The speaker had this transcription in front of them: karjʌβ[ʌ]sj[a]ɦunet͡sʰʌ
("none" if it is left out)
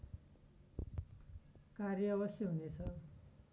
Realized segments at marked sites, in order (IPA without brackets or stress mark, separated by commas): ʌ, ʌ